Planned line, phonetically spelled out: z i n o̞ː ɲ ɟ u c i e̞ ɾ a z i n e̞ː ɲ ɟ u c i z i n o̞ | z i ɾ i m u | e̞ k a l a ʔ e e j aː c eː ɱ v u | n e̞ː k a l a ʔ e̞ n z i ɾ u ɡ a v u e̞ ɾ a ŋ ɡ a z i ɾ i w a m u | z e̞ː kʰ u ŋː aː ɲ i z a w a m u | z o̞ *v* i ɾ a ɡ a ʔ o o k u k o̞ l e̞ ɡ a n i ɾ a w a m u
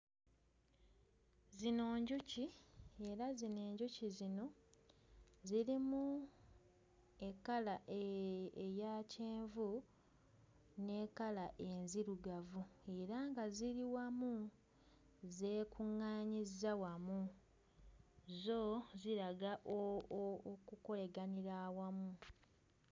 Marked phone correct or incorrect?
incorrect